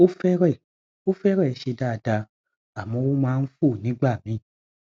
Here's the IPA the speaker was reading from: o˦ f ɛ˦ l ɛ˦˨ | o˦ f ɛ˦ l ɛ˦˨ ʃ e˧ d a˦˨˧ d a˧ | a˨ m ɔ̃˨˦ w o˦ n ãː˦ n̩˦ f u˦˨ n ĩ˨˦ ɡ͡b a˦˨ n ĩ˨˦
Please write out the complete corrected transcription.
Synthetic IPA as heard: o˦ f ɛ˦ ɾ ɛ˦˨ | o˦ f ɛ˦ ɾ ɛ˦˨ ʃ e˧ d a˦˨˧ d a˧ | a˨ m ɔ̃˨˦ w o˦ m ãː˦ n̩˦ f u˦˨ n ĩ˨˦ ɡ͡b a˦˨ m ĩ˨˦